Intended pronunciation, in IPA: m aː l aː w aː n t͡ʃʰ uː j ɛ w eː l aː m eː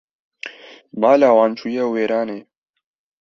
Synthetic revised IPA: m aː l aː w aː n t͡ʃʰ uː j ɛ w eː ɾ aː n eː